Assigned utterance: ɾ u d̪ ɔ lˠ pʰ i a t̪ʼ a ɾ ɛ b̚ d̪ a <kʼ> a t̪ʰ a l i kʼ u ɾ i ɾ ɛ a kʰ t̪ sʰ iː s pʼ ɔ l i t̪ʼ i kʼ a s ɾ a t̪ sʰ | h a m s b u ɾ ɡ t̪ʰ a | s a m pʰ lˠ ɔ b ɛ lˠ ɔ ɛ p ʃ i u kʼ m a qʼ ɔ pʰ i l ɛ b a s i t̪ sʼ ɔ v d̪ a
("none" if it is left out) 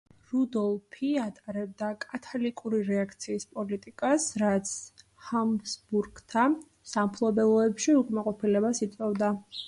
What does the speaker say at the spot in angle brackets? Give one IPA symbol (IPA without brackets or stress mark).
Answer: kʼ